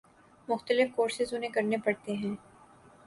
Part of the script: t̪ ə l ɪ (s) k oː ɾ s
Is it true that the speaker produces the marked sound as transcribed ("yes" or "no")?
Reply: no